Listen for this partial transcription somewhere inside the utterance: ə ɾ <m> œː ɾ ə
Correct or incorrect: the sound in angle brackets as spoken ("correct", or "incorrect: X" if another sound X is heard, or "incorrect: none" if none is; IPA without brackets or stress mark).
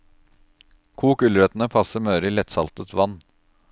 correct